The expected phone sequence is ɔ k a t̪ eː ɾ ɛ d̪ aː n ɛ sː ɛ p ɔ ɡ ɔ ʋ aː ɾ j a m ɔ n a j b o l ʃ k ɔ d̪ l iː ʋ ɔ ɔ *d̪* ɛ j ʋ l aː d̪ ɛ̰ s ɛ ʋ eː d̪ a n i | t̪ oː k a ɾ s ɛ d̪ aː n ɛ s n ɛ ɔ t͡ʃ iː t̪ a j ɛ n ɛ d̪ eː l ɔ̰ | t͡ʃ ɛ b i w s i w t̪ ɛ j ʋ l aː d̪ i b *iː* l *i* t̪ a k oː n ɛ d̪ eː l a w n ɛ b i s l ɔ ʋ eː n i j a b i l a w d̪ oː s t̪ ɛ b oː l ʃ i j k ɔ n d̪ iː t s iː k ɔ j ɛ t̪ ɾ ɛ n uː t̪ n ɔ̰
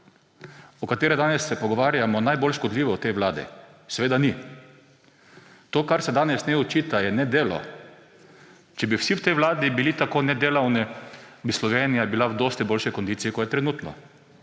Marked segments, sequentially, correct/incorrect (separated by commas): incorrect, incorrect, correct